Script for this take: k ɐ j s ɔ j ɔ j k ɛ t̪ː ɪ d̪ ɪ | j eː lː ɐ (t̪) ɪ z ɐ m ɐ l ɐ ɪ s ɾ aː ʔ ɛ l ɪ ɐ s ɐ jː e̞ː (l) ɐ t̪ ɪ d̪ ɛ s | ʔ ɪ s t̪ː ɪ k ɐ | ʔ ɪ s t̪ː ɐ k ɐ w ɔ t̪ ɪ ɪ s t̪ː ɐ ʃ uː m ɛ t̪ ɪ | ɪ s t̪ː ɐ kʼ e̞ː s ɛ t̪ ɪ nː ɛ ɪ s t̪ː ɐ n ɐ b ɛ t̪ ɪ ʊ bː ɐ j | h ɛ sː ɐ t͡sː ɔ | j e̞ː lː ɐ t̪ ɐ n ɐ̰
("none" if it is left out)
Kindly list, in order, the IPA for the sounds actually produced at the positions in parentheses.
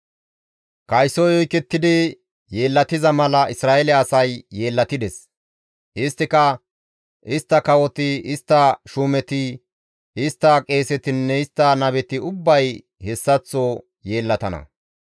t̪, lː

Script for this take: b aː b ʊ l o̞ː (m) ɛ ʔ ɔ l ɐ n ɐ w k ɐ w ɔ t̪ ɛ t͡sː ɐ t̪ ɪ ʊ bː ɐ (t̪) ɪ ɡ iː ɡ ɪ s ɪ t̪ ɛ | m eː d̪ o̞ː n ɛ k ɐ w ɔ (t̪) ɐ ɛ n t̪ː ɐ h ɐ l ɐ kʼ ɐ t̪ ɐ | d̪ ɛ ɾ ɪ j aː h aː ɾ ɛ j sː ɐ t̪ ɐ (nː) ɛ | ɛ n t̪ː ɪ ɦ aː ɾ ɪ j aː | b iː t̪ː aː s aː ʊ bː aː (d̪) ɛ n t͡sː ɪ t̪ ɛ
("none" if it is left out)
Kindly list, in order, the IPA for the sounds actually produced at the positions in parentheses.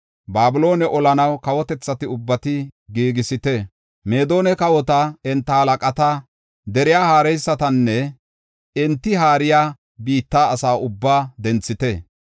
n, t̪, t̪, nː, d̪

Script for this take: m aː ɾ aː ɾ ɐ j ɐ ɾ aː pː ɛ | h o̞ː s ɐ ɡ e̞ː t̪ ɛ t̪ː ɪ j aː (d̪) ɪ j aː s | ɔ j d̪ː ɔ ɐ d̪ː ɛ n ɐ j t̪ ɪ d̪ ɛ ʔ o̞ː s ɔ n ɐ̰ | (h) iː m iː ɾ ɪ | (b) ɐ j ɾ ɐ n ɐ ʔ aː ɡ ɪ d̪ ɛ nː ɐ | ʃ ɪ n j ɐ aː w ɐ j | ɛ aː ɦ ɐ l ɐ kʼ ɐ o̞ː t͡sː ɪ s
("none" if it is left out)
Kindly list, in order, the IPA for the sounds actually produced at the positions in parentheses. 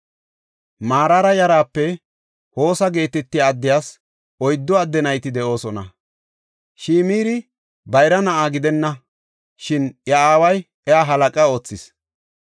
d̪ː, ʃ, b

